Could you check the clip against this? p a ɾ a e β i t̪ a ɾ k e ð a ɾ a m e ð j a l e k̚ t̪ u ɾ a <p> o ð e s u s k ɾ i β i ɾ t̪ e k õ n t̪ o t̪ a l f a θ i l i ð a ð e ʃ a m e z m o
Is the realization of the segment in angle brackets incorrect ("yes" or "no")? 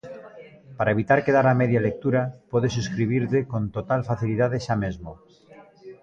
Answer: no